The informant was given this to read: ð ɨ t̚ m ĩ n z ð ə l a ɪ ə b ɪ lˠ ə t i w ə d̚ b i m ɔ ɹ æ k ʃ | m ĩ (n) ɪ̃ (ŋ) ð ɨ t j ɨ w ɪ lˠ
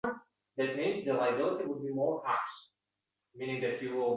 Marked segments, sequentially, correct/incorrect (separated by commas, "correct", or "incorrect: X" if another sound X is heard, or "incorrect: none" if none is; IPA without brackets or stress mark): correct, correct